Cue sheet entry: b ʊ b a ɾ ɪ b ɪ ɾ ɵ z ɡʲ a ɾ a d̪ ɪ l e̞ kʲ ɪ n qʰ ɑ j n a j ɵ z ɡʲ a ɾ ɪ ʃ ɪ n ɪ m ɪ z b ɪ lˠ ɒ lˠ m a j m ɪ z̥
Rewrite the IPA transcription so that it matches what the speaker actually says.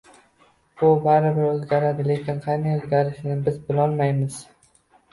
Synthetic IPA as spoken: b ʊ b a ɾ ɪ b ɪ ɾ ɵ z ɡʲ a ɾ a d̪ ɪ l e̞ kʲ ɪ n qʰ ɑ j n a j ɵ z ɡʲ a ɾ ɪ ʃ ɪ n ɪ b ɪ z b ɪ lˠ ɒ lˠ m a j m ɪ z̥